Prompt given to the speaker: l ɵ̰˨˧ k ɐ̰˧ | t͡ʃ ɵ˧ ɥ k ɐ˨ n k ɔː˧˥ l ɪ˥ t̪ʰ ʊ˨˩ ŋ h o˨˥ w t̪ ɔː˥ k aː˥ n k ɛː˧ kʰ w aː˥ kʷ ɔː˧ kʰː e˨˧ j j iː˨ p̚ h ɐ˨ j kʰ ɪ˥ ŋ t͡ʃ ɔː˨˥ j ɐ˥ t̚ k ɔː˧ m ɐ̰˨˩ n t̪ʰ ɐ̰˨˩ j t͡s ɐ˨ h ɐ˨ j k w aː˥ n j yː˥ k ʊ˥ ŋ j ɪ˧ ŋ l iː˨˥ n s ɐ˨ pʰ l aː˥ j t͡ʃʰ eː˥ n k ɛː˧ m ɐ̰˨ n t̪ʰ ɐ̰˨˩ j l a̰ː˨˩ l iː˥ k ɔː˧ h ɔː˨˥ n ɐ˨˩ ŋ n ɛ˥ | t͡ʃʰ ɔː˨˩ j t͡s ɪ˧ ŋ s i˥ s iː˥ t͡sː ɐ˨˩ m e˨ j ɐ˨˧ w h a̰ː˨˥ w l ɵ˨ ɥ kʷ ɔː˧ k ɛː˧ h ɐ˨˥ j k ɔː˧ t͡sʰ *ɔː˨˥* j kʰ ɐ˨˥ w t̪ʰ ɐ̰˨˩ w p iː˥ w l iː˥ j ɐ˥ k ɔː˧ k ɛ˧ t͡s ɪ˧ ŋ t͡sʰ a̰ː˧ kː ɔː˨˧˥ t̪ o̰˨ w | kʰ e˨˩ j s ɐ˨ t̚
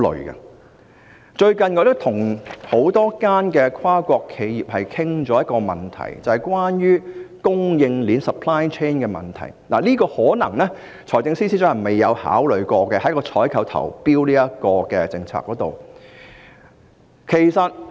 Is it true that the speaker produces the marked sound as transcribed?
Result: yes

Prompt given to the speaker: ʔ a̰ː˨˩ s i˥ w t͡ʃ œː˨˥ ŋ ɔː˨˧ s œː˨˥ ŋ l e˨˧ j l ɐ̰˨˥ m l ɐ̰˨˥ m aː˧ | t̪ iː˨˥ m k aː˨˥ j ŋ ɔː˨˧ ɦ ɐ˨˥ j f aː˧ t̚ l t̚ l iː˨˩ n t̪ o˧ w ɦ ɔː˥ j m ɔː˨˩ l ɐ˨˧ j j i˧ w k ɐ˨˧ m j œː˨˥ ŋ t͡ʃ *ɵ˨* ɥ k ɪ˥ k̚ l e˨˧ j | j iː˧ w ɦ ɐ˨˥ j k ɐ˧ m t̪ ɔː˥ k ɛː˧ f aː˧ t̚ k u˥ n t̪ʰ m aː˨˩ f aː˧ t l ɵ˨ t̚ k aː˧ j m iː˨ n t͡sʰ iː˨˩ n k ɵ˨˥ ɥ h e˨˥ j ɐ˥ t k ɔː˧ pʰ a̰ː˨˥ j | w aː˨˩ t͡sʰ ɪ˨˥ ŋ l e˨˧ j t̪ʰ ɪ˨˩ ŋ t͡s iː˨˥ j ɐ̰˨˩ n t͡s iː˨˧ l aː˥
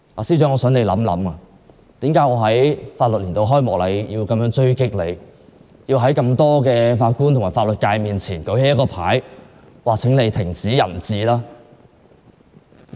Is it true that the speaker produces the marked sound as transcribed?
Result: no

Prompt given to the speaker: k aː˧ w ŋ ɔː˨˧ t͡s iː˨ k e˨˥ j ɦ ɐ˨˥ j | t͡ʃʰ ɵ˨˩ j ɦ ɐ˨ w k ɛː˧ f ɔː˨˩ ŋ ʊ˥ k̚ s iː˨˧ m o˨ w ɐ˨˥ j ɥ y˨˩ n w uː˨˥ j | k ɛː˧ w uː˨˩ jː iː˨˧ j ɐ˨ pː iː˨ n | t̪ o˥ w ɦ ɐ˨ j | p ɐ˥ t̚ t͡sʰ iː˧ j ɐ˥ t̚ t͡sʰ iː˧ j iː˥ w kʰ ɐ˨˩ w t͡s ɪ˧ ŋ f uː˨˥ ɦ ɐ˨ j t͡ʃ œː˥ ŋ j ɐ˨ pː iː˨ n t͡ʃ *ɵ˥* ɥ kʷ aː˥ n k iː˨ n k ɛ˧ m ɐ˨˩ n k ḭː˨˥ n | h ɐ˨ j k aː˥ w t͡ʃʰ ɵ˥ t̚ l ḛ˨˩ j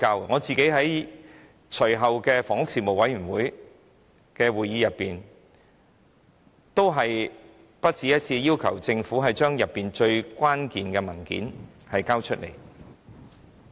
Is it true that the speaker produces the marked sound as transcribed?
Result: no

